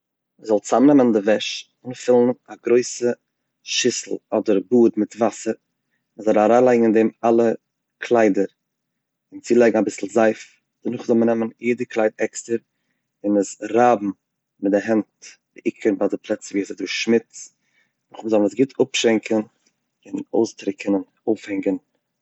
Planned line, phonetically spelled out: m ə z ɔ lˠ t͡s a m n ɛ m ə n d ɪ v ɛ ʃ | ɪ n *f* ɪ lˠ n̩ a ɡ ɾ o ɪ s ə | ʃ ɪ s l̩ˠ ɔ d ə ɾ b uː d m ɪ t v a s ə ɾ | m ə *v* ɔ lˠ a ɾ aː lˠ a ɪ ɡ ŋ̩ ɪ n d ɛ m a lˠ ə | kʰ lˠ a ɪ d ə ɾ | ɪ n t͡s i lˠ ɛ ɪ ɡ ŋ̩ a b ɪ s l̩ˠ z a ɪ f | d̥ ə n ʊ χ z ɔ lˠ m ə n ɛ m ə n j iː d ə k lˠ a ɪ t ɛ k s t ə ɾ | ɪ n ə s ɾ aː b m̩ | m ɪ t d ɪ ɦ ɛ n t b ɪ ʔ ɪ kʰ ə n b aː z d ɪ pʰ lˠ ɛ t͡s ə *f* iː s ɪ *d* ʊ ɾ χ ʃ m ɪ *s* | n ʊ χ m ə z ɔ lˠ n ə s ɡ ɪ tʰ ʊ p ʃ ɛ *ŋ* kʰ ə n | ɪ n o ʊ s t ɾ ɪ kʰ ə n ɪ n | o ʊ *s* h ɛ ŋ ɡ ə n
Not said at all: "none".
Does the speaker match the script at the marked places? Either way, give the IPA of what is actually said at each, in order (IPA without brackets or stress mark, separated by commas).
f, z, v, d, t͡s, ŋ, f